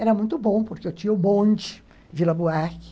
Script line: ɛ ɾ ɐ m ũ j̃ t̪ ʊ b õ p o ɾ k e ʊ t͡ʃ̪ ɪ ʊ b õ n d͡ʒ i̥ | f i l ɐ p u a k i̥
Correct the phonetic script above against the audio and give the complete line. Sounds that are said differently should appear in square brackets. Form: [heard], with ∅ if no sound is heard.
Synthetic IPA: ɛ ɾ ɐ m ũ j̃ t̪ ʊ b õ p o ɾ k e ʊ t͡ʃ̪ [i] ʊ b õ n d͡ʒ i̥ | [v] i l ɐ [b] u a k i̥